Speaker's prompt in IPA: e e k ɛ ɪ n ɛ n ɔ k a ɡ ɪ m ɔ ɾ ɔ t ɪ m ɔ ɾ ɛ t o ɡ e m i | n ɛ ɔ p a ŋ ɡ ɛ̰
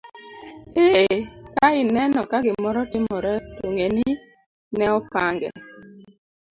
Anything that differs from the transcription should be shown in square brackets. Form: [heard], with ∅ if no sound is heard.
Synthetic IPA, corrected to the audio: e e k [a] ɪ n ɛ n ɔ k a ɡ ɪ m ɔ ɾ ɔ t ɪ m ɔ ɾ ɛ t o [ŋ] e [n] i | n ɛ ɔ p a ŋ ɡ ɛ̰